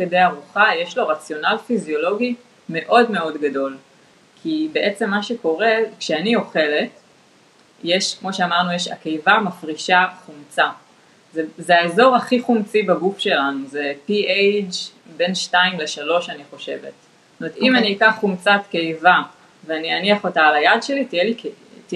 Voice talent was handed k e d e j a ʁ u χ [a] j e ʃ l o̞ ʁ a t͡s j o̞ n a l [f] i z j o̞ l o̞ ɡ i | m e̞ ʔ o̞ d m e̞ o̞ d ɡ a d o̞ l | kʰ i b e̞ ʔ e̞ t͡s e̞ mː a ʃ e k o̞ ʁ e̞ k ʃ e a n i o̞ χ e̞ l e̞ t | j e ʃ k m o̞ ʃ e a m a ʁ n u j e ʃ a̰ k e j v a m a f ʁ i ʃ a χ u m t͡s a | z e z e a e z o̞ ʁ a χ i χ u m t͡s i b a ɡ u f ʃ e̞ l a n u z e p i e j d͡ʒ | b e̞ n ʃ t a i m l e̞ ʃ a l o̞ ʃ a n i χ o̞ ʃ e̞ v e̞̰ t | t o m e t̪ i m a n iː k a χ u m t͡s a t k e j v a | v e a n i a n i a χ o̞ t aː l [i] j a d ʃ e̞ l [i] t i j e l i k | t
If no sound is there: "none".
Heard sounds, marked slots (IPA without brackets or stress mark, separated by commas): a, f, a, i